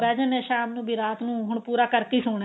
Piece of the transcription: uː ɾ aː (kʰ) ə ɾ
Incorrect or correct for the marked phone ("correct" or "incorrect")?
incorrect